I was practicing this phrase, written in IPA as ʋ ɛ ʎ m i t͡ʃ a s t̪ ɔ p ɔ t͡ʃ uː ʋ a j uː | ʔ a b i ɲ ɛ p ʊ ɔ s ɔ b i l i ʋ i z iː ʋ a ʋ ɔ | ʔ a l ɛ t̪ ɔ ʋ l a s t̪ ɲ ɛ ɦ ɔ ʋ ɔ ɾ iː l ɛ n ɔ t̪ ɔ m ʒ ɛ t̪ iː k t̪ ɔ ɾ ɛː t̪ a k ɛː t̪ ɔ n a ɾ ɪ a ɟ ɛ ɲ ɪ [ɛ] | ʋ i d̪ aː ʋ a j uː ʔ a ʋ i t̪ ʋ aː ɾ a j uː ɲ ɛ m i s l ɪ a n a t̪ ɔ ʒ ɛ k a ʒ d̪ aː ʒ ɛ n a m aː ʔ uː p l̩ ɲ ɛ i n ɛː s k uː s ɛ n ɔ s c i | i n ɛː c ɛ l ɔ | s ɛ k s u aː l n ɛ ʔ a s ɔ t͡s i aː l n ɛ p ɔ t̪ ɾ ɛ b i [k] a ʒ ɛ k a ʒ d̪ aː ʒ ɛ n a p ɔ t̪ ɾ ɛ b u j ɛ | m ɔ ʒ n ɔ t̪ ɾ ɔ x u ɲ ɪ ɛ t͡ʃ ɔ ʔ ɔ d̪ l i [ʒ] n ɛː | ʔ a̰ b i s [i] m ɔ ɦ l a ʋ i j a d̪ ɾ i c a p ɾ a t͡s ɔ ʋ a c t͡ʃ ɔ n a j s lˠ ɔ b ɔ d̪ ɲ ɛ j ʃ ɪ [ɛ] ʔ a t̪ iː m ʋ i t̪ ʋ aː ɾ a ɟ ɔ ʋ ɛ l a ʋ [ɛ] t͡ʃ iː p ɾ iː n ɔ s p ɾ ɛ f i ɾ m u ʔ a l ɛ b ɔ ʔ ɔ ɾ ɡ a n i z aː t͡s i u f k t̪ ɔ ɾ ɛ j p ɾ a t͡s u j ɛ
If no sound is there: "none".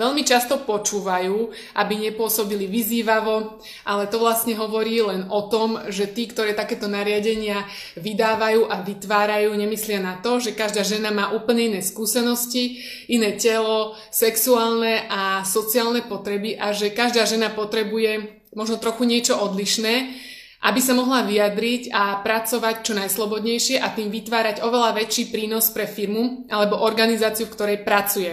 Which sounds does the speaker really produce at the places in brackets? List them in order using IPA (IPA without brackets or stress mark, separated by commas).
a, ʔ, ʃ, a, ɛ, ɛ